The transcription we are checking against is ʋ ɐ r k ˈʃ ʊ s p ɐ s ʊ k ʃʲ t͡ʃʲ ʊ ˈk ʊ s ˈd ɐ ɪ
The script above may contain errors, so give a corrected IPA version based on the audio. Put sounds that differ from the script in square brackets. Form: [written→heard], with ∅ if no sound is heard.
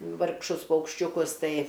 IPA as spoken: ʋ ɐ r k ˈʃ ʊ s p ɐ [s→∅] ʊ k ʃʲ t͡ʃʲ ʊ ˈk ʊ s [ˈd→ˈt] ɐ ɪ